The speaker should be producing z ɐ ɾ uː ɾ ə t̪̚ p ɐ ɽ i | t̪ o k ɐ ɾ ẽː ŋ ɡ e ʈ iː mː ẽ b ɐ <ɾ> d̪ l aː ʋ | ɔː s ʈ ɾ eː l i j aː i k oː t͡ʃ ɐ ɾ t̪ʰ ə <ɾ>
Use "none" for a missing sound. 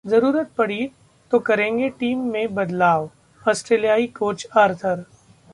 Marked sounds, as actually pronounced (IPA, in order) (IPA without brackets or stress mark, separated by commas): none, ɾ